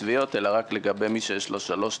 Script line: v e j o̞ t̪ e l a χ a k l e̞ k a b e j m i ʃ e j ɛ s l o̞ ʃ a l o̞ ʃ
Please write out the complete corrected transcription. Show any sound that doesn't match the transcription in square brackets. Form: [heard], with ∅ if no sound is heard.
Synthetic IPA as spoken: v [i] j o̞ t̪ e l a [ʁ] a k l e̞ [ɡ] a b e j m i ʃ e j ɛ [ʃ] l o̞ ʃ a l o̞ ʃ